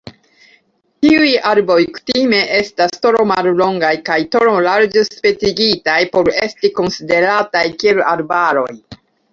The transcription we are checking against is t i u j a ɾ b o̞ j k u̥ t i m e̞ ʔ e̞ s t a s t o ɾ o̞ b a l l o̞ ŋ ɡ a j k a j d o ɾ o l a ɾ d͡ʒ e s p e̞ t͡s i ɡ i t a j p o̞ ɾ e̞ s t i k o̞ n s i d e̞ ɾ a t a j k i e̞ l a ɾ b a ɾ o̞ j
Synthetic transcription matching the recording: t i u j a ɾ b o̞ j k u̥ t i m e̞ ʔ e̞ s t a s t o ɾ o̞ m a l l o̞ ŋ ɡ a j k a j t o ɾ o l a ɾ d͡ʒ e s p e̞ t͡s i ɡ i t a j p o̞ ɾ e̞ s t i k o̞ n s i d e̞ ɾ a t a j k i e̞ l a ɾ b a ɾ o̞ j